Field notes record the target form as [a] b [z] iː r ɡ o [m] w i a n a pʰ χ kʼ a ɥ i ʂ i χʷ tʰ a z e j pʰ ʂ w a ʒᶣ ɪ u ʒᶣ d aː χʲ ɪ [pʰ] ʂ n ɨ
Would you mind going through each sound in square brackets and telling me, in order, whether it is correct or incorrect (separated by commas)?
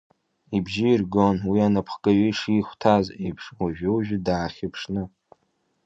incorrect, incorrect, incorrect, correct